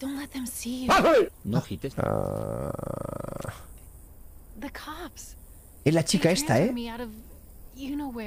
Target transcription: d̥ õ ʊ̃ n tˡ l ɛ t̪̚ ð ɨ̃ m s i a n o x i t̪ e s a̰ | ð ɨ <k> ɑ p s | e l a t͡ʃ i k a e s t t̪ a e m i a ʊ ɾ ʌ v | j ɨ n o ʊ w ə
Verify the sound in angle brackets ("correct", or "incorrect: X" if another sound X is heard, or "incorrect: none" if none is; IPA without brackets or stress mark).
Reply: incorrect: kʰ